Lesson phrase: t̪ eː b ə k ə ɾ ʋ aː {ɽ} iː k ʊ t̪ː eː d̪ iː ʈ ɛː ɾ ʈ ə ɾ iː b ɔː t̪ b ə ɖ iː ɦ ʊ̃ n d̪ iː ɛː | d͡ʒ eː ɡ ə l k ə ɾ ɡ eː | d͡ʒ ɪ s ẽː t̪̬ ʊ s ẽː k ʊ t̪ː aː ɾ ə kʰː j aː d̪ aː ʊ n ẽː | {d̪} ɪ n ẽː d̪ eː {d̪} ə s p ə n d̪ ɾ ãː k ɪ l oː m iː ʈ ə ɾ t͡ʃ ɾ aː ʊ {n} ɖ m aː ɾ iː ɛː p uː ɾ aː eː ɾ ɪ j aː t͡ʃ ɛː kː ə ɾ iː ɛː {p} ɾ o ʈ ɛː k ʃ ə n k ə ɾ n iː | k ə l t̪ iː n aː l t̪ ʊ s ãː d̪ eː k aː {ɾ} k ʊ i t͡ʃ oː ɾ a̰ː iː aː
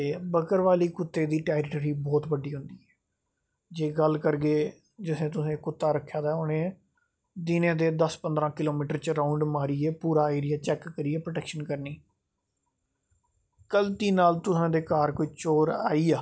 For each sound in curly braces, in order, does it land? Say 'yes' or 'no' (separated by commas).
no, yes, yes, no, yes, yes